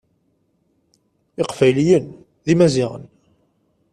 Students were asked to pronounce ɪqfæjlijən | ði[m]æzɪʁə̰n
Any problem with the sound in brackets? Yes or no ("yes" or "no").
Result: no